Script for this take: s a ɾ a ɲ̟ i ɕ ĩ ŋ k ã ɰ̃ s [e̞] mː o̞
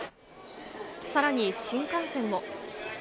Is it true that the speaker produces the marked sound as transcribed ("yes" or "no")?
no